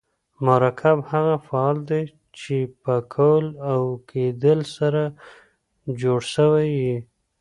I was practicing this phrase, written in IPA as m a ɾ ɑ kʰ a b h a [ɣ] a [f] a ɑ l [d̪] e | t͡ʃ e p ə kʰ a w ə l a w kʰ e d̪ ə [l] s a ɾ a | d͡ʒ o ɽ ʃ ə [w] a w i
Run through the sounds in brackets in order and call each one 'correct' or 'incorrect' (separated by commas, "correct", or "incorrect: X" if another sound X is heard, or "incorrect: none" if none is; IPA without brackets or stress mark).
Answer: correct, correct, correct, correct, correct